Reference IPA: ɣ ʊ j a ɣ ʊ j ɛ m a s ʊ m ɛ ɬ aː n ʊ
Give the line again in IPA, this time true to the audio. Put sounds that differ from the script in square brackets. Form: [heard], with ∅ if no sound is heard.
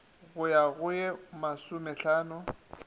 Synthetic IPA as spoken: ɣ ʊ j a ɣ ʊ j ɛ m a s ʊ m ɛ ɬ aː n ʊ